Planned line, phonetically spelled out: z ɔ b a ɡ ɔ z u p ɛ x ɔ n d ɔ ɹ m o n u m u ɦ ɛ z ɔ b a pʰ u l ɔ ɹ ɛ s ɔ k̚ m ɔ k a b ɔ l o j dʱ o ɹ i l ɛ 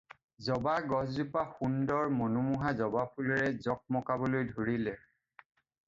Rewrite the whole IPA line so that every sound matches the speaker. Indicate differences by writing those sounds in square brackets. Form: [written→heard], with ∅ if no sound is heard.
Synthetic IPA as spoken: z ɔ b a ɡ ɔ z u p [ɛ→a] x [ɔ→u] n d ɔ ɹ m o n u m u ɦ [ɛ→a] z ɔ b a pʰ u l ɔ ɹ ɛ [s→z] ɔ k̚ m ɔ k a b ɔ l o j dʱ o ɹ i l ɛ